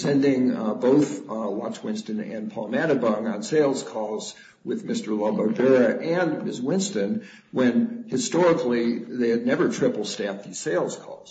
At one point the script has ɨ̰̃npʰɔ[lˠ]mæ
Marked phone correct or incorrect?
correct